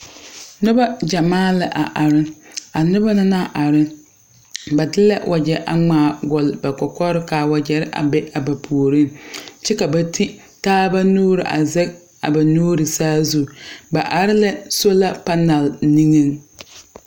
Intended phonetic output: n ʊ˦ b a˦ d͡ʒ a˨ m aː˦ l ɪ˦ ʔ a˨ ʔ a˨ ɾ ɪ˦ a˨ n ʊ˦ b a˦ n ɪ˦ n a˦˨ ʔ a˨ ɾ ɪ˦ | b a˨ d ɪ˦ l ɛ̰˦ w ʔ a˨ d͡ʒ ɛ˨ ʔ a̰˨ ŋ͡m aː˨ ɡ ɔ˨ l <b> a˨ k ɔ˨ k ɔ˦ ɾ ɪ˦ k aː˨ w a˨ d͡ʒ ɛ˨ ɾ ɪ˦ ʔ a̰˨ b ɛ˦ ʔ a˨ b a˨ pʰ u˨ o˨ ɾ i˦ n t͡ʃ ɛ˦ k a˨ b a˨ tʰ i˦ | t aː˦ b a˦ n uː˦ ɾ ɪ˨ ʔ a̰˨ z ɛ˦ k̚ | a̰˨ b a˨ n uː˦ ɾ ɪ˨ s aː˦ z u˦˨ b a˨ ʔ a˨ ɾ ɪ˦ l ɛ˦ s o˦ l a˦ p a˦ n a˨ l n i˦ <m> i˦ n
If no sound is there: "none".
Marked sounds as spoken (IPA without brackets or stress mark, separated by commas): b, ŋ